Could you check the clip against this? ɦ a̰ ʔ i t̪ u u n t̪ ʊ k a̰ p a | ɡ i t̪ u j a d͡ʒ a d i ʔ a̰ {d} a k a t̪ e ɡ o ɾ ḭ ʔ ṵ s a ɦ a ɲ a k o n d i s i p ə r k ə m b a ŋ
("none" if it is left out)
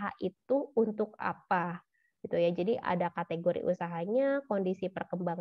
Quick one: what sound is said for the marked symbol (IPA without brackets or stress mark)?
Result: d